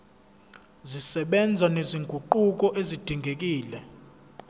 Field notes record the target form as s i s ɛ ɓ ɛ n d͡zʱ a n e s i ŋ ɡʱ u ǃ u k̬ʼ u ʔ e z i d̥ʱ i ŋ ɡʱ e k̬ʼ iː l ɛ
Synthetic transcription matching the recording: z i s ɛ ɓ ɛ n d͡zʱ a n e z i ŋ ɡʱ u ǃ u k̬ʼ ɔ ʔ e z i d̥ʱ i ŋ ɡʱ e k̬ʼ iː l ɛ